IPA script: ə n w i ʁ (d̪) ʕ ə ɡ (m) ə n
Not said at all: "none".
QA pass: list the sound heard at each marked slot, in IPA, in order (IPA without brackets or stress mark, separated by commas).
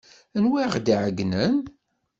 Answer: d̪, n